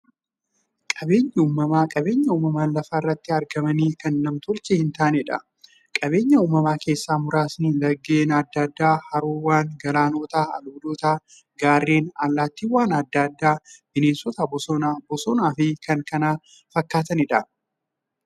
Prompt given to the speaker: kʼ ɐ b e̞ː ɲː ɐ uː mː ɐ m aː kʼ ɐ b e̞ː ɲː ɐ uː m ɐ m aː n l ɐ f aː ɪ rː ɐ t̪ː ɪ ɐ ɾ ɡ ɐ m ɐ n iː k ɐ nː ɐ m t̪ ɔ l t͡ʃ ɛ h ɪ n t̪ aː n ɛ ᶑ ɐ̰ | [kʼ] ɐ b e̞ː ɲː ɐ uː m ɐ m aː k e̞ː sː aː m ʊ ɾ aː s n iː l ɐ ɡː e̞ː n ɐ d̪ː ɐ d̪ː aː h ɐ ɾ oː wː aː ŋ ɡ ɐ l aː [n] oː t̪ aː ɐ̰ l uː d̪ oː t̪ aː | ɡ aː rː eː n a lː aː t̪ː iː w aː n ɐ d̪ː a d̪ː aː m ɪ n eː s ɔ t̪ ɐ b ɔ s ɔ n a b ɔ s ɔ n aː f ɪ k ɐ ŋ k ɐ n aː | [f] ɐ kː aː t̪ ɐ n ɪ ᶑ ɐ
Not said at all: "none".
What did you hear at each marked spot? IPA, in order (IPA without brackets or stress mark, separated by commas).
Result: kʼ, n, f